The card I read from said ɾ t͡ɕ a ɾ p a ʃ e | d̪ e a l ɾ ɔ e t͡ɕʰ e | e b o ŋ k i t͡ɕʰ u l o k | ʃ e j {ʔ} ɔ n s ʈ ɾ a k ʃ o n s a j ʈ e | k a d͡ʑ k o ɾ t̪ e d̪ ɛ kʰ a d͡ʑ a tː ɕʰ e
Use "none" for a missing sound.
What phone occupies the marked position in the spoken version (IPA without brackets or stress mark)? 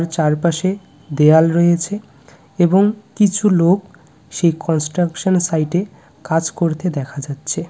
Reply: k